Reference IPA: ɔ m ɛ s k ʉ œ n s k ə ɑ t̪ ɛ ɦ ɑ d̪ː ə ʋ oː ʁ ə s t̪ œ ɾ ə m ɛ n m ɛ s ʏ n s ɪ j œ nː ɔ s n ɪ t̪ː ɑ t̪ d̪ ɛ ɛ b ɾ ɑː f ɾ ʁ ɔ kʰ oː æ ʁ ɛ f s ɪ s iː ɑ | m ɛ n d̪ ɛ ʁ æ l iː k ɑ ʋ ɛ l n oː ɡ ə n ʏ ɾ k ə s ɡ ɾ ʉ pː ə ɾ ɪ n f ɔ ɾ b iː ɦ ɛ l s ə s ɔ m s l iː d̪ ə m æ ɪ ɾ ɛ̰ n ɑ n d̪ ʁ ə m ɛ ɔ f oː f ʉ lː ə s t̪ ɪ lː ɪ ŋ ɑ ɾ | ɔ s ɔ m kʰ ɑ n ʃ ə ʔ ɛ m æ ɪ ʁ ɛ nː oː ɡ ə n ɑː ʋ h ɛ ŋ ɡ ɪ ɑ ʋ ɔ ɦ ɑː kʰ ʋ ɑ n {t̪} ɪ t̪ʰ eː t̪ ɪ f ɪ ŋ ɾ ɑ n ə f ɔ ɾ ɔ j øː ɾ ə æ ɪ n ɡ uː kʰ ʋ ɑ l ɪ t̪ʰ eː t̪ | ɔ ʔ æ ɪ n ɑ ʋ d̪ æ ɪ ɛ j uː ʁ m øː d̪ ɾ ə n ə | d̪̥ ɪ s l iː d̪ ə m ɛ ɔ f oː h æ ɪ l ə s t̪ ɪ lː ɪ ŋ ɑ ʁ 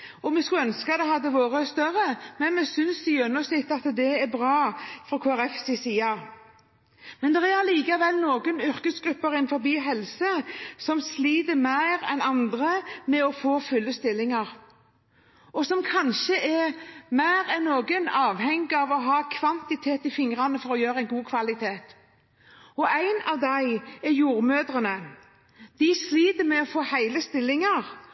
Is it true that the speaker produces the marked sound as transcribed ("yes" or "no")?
yes